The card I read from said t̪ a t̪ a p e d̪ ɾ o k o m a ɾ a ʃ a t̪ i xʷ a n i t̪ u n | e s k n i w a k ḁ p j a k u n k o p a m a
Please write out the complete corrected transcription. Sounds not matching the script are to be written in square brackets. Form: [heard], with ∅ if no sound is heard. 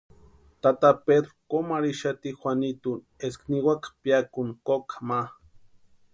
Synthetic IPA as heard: t̪ a t̪ a p e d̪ ɾ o k o m a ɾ [i] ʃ a t̪ i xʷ a n i t̪ u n | e s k n i w a k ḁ p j a k u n k o [k] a m a